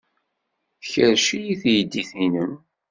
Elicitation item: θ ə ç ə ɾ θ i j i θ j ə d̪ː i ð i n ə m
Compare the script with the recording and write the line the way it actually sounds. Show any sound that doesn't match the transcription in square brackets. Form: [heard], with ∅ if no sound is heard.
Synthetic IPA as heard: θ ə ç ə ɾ [ʃ] i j i θ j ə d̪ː i [θ] i n ə m